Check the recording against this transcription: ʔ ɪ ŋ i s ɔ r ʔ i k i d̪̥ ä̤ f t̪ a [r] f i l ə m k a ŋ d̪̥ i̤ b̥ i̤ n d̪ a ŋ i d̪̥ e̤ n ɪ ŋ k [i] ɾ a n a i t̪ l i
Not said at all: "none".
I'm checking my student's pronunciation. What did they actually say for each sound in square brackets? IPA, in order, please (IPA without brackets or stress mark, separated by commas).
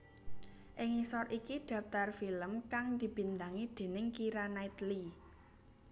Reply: r, i